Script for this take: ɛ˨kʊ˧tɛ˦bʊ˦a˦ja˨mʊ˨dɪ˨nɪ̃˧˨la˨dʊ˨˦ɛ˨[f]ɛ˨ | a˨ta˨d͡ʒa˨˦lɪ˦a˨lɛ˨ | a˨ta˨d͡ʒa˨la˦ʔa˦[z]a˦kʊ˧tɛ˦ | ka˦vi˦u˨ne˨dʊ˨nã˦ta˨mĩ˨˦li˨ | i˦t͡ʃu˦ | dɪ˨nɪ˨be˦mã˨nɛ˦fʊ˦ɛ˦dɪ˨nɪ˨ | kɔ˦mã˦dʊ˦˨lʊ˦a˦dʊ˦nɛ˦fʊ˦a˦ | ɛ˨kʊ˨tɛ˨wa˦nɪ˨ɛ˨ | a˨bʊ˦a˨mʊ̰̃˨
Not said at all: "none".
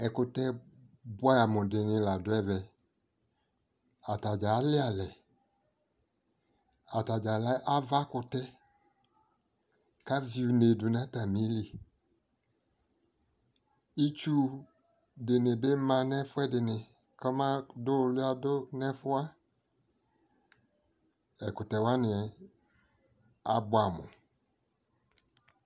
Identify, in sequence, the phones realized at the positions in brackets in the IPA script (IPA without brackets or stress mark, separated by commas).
v, v